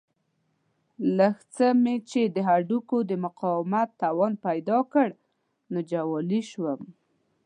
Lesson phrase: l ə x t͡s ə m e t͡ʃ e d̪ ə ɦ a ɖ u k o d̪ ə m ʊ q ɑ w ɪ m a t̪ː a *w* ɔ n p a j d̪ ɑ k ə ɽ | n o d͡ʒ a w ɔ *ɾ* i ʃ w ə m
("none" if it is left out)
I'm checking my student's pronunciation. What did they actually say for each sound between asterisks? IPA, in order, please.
w, l

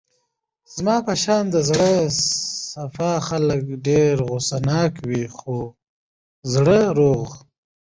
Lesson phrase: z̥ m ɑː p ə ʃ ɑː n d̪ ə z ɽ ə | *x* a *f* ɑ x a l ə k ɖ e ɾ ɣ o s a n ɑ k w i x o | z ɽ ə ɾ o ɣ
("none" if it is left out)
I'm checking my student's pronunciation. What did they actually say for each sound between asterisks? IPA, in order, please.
s, f

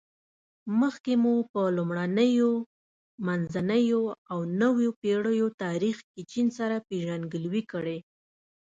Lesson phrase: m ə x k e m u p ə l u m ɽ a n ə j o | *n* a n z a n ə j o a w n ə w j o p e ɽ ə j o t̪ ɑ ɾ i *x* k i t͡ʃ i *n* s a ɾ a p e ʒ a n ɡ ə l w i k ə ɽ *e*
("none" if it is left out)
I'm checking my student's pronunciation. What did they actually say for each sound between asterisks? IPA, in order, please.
m, x, n, e

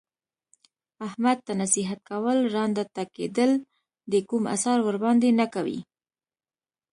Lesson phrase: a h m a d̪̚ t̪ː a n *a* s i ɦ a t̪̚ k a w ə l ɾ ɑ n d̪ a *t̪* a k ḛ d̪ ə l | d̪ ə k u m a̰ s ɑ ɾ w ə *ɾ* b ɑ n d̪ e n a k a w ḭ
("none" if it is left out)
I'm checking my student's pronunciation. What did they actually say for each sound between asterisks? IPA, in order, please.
a, t̪, ɾ

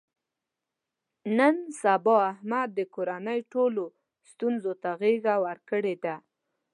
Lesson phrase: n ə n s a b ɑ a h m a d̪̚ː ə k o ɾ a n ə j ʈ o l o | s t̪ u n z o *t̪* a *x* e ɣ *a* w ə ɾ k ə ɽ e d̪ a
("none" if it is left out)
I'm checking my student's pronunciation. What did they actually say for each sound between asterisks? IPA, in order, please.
t̪, ɣ, a

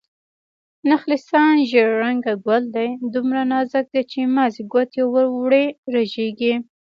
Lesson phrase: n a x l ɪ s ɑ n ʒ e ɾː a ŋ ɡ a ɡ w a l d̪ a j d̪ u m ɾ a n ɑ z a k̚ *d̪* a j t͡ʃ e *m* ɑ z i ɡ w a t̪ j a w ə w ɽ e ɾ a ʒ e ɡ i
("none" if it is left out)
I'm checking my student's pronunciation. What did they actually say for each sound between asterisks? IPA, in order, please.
d̪, m

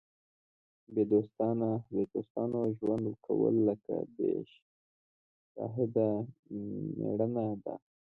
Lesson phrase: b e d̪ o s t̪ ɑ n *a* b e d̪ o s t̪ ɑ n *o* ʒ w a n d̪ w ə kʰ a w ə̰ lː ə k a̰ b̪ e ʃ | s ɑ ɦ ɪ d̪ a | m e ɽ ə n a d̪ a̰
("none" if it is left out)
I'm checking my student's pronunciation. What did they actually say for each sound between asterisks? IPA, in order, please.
a, o

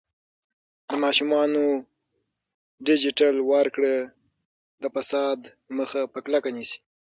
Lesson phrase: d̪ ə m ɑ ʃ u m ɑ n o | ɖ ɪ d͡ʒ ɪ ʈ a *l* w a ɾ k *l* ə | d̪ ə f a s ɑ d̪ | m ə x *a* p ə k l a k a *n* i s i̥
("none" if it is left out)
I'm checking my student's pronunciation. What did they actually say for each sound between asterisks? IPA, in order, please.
l, ɽ, a, n

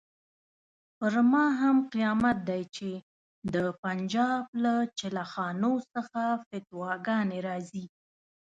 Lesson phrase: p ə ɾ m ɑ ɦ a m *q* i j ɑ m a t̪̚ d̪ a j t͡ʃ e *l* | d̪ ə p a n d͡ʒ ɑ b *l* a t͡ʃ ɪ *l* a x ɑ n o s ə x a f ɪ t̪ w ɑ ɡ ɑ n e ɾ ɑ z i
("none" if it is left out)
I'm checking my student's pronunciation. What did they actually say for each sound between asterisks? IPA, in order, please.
q, none, l, l

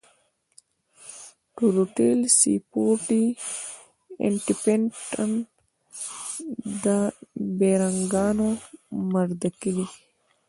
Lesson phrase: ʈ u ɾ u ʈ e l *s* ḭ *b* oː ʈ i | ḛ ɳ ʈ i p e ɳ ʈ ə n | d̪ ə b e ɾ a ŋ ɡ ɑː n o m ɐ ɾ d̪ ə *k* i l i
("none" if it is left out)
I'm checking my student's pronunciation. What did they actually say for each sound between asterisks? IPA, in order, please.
s, p, k

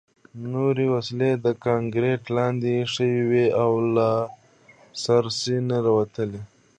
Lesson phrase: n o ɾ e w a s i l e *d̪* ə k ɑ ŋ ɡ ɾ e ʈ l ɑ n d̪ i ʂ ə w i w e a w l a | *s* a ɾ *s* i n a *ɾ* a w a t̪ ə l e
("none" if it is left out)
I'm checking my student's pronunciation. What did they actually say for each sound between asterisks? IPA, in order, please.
d̪, s, s, ɾ

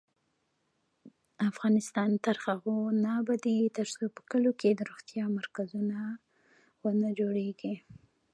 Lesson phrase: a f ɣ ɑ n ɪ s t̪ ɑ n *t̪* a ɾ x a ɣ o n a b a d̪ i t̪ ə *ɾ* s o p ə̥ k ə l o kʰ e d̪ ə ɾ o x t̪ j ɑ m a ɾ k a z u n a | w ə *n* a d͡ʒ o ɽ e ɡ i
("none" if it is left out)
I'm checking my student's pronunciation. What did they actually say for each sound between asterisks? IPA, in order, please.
t̪, ɾ, n

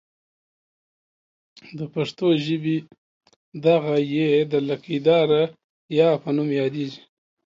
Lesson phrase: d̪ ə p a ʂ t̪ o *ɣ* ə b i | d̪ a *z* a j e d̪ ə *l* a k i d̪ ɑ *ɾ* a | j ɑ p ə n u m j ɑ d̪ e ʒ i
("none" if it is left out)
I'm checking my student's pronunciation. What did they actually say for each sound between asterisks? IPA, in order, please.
ʒ, ɣ, l, ɾ

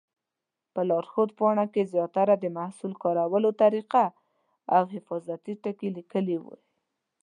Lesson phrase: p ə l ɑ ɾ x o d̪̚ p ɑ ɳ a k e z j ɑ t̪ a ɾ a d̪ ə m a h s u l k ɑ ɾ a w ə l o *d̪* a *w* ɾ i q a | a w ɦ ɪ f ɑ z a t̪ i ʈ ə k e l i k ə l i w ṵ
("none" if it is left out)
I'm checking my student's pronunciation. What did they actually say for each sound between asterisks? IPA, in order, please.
t̪, none

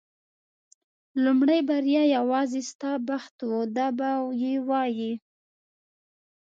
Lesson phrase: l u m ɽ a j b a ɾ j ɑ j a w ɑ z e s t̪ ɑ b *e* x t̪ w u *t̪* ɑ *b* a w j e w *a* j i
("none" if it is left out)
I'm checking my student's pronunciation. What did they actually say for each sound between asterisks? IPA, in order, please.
a, d̪, b, ɑ

